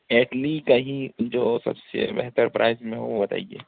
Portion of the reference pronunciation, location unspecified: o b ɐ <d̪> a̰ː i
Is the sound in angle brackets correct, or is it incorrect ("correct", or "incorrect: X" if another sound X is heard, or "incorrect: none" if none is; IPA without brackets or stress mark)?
incorrect: t̪